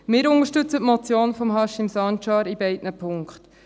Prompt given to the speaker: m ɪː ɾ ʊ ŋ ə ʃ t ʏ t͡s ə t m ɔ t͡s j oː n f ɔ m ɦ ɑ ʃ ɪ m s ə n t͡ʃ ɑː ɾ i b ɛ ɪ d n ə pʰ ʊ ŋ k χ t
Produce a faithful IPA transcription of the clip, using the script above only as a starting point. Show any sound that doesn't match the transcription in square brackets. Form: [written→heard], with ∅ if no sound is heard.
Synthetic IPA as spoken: m ɪː ɾ ʊ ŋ ə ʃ t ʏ t͡s ə t m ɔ t͡s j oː n f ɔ m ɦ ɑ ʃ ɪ m s [ə→ɑ] n t͡ʃ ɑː ɾ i b ɛ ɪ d n ə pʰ ʊ ŋ k χ t